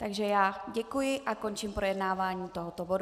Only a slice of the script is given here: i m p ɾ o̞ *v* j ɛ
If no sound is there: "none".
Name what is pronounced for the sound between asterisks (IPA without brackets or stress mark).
none